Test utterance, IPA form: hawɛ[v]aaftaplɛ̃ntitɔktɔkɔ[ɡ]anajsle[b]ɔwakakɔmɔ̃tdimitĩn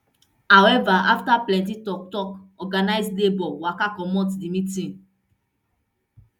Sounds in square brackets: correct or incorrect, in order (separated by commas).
correct, correct, correct